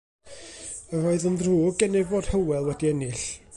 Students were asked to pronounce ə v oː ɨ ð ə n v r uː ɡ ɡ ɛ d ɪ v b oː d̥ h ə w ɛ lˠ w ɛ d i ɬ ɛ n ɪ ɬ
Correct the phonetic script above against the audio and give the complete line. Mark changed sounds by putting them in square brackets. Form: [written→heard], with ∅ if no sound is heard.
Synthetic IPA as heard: ə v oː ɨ ð ə n [v→ð] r uː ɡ ɡ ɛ [d→n] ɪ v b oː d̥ h ə w ɛ lˠ w ɛ d i [ɬ→∅] ɛ n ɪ ɬ